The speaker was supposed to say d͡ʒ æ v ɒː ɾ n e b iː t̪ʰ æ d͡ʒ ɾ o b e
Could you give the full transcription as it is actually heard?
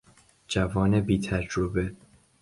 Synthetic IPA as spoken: d͡ʒ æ v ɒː n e b iː t̪ʰ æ d͡ʒ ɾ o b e

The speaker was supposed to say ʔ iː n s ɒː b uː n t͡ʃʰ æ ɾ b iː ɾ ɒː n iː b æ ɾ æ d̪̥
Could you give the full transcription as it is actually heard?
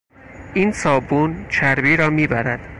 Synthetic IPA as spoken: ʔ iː n s ɒː b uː n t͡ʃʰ æ ɾ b iː ɾ ɒː m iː b æ ɾ æ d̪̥

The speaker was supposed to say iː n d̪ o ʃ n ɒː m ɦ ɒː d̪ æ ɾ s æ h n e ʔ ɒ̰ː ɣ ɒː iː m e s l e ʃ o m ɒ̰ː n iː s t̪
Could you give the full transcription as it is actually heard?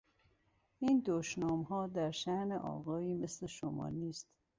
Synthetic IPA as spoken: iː n d̪ o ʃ n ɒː m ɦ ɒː d̪ æ ɾ ʃ æ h n e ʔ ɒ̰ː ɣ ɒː iː m e s l e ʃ o m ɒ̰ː n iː s t̪

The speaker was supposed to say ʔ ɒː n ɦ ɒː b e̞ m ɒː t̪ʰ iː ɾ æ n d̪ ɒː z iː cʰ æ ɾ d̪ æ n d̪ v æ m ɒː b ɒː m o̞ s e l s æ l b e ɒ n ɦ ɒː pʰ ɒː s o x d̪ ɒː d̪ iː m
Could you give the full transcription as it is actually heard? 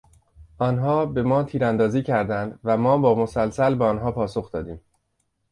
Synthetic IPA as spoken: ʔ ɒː n ɦ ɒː b e̞ m ɒː t̪ʰ iː ɾ æ n d̪ ɒː z iː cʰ æ ɾ d̪ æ n d̪ v æ m ɒː b ɒː m o̞ s æ l s æ l b e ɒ n ɦ ɒː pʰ ɒː s o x d̪ ɒː d̪ iː m

